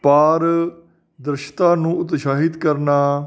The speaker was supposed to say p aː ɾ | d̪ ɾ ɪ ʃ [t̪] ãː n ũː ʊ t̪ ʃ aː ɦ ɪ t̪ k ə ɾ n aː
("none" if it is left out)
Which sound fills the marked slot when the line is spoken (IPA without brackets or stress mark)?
t̪